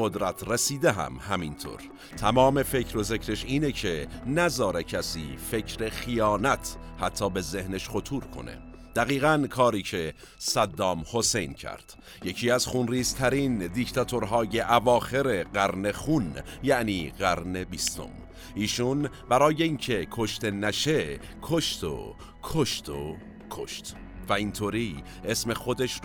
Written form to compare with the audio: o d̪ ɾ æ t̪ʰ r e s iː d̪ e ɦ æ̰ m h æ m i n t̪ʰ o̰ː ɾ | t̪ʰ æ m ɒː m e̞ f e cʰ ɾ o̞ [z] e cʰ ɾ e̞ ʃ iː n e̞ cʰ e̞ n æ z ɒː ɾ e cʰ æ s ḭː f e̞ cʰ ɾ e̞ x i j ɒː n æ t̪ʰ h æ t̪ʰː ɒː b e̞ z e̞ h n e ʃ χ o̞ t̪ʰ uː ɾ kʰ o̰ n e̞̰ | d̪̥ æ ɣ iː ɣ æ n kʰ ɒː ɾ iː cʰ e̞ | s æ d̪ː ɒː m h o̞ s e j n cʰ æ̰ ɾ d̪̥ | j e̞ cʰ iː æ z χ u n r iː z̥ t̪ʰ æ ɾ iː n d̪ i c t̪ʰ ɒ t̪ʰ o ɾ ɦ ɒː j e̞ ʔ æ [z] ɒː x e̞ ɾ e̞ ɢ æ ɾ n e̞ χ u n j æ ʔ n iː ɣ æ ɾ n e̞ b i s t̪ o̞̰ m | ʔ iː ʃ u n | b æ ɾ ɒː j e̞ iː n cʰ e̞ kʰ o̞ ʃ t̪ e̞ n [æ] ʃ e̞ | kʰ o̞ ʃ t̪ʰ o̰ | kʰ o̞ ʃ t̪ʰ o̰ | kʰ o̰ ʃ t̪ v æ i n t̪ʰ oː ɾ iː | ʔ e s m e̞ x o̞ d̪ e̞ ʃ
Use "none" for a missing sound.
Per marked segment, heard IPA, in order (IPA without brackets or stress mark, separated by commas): z, v, æ